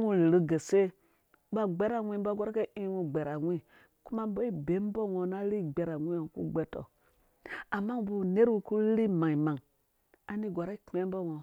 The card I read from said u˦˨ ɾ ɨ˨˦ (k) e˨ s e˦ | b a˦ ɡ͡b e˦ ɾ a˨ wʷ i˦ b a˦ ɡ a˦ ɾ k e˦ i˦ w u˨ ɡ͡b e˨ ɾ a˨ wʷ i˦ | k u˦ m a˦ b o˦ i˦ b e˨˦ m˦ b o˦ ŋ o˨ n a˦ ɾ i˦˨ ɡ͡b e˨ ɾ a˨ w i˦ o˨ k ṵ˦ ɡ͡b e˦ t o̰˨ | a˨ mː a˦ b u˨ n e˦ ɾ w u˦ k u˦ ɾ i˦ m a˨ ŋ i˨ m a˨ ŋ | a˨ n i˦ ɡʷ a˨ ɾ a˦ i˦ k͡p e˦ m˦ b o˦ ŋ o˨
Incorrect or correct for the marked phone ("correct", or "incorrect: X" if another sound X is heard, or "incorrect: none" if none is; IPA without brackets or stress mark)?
incorrect: ɡ